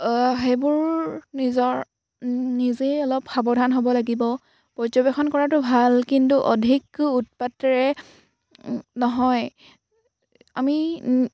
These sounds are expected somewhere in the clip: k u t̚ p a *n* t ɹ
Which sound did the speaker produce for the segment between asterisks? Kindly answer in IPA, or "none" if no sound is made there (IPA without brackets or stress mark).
none